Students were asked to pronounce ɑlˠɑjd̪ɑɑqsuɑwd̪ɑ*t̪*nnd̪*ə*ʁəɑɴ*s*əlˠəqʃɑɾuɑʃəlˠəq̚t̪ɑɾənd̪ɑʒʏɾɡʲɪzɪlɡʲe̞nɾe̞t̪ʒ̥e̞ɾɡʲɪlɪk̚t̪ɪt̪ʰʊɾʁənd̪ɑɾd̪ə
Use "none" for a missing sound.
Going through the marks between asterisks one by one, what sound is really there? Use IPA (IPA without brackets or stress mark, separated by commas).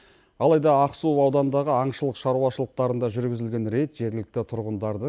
none, ɑ, ʃ